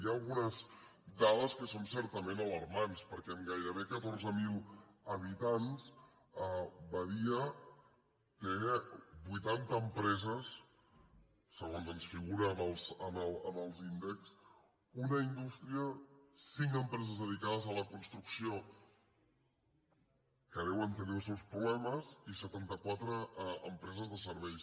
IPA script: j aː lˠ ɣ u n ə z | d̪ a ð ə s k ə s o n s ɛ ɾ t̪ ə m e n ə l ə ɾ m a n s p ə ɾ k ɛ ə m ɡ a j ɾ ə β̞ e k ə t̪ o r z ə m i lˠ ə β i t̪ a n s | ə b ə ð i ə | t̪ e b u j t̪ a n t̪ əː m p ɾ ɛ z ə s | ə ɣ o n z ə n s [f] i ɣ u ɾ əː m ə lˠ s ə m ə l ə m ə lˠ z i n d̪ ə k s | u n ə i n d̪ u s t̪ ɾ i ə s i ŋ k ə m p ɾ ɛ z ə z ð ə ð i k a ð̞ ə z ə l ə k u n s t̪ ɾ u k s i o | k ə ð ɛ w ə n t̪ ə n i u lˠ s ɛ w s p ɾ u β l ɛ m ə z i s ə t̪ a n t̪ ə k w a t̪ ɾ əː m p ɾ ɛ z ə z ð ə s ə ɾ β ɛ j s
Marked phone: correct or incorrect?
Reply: correct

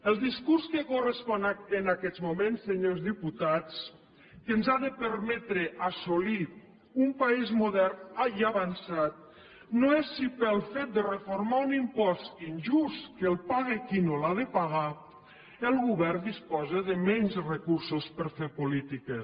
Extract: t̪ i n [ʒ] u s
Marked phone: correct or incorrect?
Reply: correct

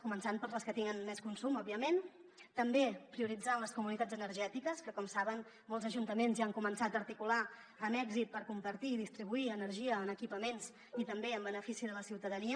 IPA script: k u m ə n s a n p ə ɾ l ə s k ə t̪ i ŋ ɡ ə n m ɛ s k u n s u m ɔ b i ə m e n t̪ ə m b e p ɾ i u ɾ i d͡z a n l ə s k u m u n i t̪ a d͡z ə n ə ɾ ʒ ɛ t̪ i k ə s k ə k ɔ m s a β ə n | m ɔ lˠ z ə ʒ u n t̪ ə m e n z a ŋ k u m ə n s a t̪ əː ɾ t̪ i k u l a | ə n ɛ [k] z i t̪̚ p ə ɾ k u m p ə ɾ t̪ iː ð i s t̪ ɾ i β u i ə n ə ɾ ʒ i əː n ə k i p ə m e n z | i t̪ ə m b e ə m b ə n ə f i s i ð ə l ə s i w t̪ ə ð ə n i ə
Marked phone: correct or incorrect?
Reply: incorrect: ɡ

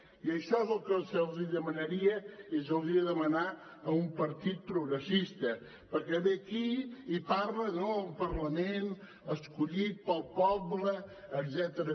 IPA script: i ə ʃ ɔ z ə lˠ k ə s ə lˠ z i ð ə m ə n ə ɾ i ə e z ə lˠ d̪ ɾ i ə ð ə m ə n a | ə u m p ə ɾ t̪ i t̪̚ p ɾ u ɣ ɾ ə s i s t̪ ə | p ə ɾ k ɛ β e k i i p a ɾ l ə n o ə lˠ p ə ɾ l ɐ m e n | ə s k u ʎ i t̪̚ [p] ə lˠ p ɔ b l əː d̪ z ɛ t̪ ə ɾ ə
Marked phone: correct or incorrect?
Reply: correct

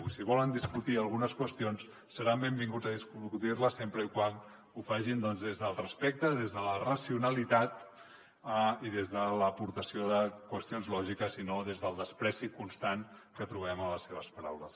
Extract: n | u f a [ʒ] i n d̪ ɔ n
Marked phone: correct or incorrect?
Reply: correct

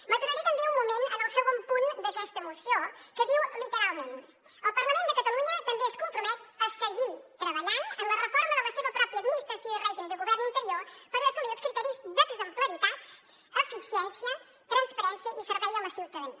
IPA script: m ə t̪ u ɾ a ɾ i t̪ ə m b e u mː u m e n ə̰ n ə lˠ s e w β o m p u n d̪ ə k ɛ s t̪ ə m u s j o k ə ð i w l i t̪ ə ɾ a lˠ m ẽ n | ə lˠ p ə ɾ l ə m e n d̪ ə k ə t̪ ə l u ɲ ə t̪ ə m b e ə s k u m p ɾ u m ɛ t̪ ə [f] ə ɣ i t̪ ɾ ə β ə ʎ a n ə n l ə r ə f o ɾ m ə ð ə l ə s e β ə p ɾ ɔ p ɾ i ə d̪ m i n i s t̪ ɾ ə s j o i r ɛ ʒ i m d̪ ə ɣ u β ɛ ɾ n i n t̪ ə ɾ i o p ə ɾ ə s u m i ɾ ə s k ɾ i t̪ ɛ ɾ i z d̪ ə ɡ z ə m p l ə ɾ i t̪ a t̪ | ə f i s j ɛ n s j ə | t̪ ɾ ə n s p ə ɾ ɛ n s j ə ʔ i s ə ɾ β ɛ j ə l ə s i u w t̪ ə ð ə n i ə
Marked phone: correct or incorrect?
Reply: incorrect: s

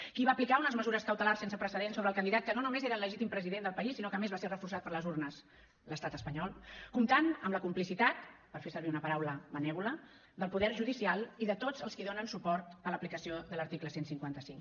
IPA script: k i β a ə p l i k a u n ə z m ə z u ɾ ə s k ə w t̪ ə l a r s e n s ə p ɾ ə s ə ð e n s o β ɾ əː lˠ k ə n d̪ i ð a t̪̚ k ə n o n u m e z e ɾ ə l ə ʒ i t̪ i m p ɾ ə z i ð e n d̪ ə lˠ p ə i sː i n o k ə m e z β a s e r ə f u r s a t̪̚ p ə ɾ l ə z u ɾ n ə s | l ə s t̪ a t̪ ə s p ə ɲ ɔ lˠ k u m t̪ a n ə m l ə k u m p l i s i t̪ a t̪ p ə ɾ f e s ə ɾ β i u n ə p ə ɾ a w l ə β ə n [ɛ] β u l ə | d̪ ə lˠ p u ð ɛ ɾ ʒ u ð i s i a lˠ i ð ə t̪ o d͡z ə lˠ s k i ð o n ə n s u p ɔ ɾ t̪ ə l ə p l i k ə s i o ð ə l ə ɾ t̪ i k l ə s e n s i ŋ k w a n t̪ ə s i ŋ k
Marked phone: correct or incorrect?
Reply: correct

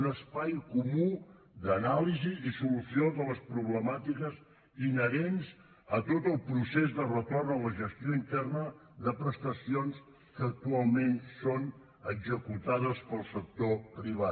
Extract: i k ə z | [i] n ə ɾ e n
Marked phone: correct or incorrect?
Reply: correct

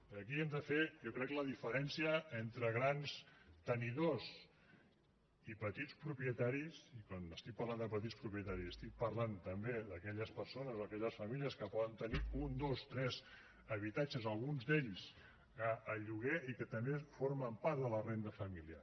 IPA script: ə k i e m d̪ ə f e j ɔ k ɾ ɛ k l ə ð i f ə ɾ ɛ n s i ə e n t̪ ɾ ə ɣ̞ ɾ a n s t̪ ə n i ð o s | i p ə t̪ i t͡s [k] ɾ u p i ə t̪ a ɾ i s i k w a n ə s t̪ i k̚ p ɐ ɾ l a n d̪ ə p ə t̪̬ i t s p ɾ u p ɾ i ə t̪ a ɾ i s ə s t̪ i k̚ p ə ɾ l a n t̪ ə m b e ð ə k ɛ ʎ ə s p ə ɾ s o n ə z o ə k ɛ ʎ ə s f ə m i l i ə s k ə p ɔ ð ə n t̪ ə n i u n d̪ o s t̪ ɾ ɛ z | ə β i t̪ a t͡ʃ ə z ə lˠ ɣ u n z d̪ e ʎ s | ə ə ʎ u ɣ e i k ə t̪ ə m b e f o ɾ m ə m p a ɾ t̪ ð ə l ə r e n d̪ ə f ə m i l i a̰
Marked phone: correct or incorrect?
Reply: incorrect: p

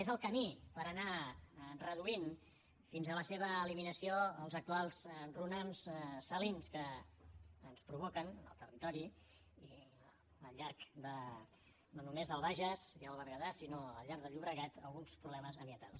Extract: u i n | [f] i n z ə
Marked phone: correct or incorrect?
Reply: correct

